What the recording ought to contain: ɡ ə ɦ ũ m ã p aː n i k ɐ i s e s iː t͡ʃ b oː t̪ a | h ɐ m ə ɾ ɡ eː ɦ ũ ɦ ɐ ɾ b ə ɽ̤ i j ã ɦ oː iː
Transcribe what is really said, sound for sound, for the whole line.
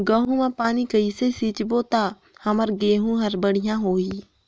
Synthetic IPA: ɡ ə ɦ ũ m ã p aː n i k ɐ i s e s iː t͡ʃ b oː t̪ a | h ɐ m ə ɾ ɡ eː ɦ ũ ɦ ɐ ɾ b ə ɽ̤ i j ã ɦ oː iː